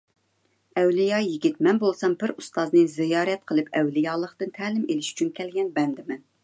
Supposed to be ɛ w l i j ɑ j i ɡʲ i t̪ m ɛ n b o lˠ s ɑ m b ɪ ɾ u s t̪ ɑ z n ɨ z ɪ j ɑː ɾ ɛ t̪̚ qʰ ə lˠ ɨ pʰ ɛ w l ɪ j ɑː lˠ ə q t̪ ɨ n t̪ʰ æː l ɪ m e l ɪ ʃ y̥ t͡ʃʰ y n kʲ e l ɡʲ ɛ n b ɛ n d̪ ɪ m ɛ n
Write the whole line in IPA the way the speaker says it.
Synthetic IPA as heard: ɛ w l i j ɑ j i ɡʲ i t̪ m ɛ n b o lˠ s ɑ m b ɪ ɾ u s t̪ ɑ z n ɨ z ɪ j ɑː ɾ ɛ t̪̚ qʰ ə lˠ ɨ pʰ ɛ w l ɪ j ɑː lˠ ə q t̪ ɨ n t̪ʰ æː l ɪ m e l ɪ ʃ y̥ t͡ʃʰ y n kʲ ɛ l ɡʲ ɛ n b ɛ n d̪ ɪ m ɛ n

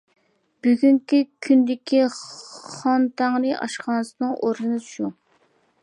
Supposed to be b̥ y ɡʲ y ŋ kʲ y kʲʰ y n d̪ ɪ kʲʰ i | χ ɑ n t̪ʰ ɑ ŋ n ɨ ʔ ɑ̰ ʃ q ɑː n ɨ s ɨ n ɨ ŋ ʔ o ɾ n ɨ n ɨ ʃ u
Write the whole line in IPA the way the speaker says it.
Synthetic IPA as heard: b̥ y ɡʲ y ŋ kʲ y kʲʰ y n d̪ ɪ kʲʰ i | χ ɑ n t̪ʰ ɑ ŋ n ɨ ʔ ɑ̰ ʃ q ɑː n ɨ s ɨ n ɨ ŋ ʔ o ɾ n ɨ n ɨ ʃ u

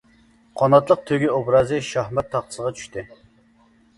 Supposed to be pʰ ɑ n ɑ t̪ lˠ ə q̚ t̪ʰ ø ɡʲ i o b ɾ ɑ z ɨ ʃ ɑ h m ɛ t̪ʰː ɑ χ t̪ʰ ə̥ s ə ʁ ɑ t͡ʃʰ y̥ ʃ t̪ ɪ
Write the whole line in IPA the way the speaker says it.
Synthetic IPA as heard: qʰ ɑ n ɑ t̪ lˠ ə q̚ t̪ʰ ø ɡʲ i o b ɾ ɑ z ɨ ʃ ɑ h m ɛ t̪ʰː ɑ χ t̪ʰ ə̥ s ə ʁ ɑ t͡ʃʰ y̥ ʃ t̪ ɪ

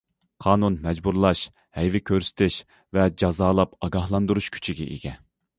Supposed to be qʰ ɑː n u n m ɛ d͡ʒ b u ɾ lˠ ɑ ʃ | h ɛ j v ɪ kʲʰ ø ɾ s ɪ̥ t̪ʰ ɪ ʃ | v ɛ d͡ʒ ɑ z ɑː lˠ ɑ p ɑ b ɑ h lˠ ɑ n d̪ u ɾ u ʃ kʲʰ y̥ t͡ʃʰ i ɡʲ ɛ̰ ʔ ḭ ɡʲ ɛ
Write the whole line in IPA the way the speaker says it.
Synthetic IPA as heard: qʰ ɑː n u n m ɛ d͡ʒ b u ɾ lˠ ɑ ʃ | h ɛ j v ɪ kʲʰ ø ɾ s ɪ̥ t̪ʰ ɪ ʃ | v ɛ d͡ʒ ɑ z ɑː lˠ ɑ p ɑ ɡ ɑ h lˠ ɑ n d̪ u ɾ u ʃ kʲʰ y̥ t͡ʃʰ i ɡʲ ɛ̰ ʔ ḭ ɡʲ ɛ

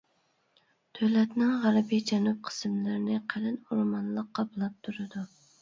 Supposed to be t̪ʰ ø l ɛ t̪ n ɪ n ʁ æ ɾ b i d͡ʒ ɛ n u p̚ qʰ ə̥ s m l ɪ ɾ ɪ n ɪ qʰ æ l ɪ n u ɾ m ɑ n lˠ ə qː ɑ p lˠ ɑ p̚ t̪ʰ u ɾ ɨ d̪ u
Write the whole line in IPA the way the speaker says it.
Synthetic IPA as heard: t̪ʰ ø l ɛ t̪ n ɪ ŋ ʁ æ ɾ b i d͡ʒ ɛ n u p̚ qʰ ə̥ s m l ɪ ɾ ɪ n ɪ qʰ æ l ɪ n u ɾ m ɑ n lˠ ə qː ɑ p lˠ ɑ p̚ t̪ʰ u ɾ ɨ d̪ u

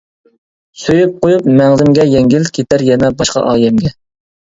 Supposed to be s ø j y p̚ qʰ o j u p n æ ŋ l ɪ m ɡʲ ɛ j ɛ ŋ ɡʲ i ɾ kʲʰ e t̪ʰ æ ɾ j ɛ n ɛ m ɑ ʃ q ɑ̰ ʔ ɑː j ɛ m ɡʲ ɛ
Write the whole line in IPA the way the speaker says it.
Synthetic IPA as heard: s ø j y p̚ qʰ o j u p m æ ŋ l ɪ m ɡʲ ɛ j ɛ ŋ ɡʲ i l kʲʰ e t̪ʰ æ ɾ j ɛ n ɛ b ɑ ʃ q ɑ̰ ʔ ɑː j ɛ m ɡʲ ɛ

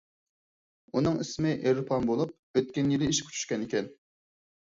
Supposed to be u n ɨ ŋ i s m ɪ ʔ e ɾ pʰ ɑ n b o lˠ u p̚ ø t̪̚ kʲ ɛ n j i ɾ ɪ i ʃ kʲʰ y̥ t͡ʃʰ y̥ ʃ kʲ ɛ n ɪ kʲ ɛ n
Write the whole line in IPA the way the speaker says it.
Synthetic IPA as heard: u n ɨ ŋ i s m ɪ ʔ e ɾ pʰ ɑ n b o lˠ u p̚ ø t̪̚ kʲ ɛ n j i l ɪ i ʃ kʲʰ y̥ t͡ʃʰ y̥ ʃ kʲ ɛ n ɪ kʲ ɛ n

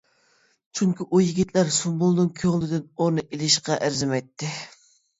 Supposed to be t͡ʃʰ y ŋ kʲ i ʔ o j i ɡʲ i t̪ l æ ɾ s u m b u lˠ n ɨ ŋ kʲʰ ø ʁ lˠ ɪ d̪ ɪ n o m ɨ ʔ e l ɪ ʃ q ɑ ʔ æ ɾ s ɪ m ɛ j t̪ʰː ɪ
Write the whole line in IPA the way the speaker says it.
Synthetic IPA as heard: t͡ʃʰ y ŋ kʲ i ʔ u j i ɡʲ i t̪ l æ ɾ s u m b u lˠ n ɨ ŋ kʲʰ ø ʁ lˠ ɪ d̪ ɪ n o n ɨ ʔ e l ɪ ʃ q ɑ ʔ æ ɾ z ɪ m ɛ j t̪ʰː ɪ

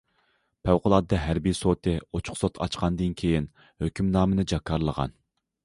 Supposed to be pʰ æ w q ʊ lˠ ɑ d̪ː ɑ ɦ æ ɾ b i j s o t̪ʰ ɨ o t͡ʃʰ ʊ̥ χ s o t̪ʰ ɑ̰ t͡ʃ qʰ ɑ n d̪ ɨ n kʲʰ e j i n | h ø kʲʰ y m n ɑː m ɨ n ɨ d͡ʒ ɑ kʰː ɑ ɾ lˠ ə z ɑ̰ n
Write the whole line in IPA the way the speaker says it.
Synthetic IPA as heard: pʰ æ w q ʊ lˠ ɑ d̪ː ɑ ɦ æ ɾ b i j s o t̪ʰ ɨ o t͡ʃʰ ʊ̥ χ s o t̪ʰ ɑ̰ t͡ʃ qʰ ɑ n d̪ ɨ n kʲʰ e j i n | h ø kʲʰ y m n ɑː m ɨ n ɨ d͡ʒ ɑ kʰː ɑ ɾ lˠ ə ʁ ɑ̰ n

